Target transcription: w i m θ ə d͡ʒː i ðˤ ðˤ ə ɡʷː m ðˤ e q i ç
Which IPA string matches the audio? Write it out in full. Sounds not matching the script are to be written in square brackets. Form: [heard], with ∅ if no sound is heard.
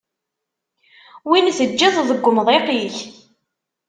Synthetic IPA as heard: w i [n] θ ə d͡ʒː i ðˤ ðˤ ə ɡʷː m ðˤ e q i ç

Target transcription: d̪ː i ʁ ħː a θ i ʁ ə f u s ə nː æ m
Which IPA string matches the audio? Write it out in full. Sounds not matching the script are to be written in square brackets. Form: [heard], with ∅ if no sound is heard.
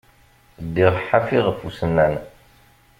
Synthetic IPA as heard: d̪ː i ʁ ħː a [f] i ʁ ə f u s ə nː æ [n]

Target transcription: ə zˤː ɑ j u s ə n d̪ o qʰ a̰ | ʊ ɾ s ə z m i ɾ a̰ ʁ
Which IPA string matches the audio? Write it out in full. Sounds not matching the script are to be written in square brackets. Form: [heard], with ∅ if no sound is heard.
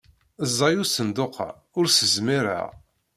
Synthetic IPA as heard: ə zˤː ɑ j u s ə n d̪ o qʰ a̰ | ʊ ɾ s ə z m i ɾ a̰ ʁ

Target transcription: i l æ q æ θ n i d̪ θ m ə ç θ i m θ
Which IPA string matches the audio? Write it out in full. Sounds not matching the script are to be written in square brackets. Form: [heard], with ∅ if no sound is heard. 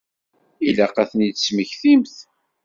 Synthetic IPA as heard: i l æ q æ θ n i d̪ [s] m ə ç θ i m θ

